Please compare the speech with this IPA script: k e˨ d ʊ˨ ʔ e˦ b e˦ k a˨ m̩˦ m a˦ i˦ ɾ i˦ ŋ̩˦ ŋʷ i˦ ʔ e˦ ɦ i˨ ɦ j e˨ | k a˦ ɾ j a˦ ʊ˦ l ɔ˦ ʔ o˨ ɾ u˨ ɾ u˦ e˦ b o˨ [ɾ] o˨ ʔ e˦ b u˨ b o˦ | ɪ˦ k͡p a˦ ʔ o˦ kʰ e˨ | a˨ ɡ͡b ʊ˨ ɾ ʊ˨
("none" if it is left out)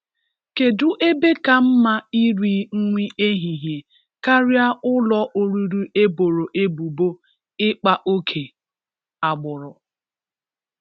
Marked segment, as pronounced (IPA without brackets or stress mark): ɾ